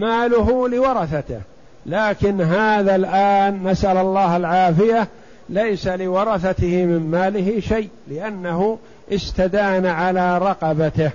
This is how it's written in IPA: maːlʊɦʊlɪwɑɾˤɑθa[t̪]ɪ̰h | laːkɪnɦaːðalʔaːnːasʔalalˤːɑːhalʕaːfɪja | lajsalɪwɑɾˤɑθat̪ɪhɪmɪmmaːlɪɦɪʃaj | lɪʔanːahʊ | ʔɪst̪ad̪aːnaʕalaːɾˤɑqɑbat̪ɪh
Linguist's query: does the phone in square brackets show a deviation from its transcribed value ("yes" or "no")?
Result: no